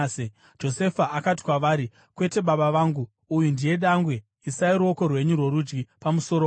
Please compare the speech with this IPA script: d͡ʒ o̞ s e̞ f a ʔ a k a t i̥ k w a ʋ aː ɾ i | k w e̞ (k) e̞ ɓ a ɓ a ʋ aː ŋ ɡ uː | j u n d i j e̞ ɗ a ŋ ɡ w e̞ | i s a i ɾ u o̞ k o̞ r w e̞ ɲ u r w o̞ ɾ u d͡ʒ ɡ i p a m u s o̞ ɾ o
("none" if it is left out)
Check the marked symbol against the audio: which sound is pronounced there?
t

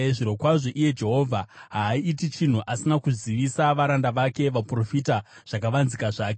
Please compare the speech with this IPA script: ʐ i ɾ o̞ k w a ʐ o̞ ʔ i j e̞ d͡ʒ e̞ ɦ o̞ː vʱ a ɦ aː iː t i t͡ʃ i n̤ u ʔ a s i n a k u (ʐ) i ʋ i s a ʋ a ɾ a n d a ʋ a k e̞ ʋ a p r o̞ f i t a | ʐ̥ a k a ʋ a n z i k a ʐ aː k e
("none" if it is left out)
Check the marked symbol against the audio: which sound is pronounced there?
z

